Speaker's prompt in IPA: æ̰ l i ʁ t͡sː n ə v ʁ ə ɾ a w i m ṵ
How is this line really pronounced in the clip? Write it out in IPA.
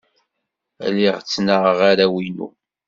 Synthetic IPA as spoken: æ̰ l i ʁ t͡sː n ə ʁ ʁ a ɾ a w i n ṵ